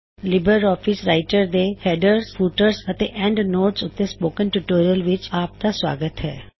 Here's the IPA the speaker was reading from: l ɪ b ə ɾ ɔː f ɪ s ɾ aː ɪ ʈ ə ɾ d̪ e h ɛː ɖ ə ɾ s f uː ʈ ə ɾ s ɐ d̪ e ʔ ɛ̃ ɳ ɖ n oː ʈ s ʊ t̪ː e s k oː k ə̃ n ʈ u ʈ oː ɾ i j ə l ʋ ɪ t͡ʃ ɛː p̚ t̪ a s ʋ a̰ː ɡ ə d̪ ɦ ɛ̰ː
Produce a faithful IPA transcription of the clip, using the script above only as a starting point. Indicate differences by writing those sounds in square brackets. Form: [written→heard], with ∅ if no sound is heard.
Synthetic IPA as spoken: l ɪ b ə ɾ ɔː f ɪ s ɾ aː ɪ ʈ ə ɾ d̪ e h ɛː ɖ ə ɾ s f uː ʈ ə ɾ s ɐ [d̪→t̪] e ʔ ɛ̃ ɳ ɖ n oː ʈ s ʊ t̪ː e s [k→p] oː k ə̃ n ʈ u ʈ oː ɾ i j ə l ʋ ɪ t͡ʃ [ɛː→aː] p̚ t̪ a s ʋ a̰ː ɡ ə [d̪→t̪] ɦ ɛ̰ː

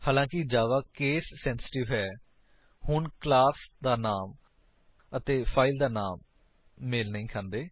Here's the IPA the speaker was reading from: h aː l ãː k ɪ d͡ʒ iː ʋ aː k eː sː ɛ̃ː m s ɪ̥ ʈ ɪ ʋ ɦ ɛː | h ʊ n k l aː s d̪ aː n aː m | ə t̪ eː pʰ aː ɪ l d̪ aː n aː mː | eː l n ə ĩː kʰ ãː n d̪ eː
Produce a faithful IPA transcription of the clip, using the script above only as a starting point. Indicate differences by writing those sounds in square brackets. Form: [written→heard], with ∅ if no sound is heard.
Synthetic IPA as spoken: h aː l ãː k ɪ d͡ʒ [iː→aː] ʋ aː k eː sː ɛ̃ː [m→n] s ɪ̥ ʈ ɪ ʋ ɦ ɛː | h ʊ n k l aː s d̪ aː n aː m | ə t̪ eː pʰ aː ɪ l d̪ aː n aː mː | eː l n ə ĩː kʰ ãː n d̪ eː

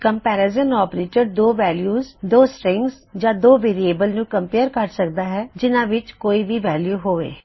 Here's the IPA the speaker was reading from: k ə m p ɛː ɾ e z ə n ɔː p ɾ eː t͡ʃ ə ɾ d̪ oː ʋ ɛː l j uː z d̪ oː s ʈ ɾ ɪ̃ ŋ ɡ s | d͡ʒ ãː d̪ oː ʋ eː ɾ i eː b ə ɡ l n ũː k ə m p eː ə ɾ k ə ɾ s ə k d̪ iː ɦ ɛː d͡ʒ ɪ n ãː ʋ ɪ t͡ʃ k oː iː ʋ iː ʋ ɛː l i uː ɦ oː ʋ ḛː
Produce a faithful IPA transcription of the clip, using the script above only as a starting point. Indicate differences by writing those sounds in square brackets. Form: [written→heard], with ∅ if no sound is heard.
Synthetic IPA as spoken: k ə m p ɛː ɾ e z ə n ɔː p ɾ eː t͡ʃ ə ɾ d̪ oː ʋ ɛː l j uː z d̪ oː s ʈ ɾ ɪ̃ ŋ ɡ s | d͡ʒ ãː d̪ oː ʋ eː ɾ i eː b ə [ɡ→∅] l n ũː k ə m p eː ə ɾ k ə ɾ s ə k d̪ [iː→aː] ɦ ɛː d͡ʒ ɪ n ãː ʋ ɪ t͡ʃ k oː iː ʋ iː ʋ ɛː l [i→j] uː ɦ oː ʋ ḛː

